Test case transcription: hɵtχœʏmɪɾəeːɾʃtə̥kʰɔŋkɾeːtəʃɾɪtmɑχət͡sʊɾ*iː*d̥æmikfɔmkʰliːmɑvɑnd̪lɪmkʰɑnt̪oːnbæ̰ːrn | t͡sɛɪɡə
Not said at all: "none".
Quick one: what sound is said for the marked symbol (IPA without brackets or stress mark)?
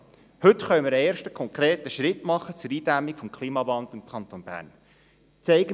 iː